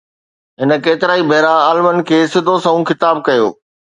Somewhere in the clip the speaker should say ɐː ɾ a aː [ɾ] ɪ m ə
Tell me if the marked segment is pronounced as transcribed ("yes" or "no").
no